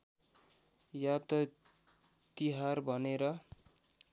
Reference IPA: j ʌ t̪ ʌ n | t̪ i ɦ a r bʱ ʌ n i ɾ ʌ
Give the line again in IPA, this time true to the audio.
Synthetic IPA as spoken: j a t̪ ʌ | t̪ i ɦ a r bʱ ʌ n e ɾ ʌ